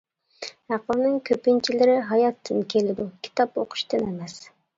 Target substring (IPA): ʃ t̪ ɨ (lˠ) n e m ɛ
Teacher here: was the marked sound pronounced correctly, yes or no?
no